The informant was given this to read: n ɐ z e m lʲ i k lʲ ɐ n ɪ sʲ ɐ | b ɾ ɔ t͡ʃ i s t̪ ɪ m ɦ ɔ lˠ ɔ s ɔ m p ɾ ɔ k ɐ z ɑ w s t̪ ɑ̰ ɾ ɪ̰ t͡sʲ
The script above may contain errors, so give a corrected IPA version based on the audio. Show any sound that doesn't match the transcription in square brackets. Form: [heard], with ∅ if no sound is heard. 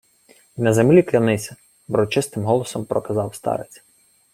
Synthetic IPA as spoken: n ɐ z e m lʲ i k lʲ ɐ n ɪ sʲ ɐ | b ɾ ɔ t͡ʃ [ɪ] s t̪ ɪ m ɦ ɔ lˠ ɔ s ɔ m p ɾ ɔ k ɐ z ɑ w s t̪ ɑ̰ ɾ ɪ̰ t͡sʲ